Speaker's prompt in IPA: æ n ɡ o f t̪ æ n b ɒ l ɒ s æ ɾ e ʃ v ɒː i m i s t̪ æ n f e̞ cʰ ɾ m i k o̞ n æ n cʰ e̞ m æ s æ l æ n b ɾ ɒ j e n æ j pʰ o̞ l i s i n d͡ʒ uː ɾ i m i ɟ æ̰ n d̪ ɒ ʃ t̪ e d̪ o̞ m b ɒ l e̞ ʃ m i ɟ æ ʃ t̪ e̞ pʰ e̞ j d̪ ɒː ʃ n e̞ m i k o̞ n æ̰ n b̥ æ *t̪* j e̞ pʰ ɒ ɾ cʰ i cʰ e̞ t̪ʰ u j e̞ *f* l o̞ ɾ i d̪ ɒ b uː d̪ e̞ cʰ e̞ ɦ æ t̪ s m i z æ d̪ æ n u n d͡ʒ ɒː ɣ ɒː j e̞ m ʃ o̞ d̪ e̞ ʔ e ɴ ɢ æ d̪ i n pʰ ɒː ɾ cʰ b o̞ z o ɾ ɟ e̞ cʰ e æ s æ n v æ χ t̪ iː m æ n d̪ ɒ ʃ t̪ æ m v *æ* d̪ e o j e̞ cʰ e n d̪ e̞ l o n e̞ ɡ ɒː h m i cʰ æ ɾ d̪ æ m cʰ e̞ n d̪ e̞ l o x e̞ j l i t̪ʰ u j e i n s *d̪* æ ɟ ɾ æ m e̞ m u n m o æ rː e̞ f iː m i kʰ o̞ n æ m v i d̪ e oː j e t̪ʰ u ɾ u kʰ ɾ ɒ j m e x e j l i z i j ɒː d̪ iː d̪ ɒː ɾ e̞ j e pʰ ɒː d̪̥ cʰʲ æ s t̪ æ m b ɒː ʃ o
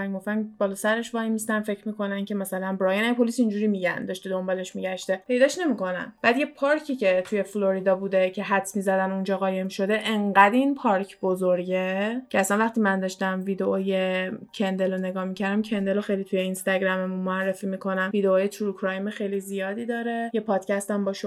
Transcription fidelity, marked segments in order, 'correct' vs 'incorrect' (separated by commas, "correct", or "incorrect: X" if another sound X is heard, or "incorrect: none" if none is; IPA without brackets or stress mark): incorrect: d̪, correct, incorrect: i, incorrect: t̪